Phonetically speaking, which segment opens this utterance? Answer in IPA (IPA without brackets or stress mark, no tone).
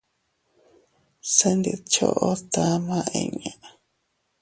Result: s